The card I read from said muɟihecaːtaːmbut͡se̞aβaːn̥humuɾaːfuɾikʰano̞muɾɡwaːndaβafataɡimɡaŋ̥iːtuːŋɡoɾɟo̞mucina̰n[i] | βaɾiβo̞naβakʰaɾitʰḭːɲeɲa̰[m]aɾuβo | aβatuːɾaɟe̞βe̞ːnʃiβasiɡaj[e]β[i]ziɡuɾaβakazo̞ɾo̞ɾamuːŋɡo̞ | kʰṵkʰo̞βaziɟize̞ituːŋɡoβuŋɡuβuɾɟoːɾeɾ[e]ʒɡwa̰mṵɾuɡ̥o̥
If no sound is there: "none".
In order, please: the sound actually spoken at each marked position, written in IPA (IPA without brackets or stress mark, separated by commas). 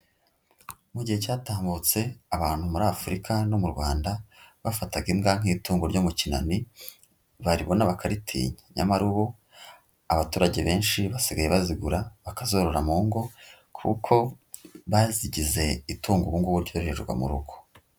i, m, e, a, e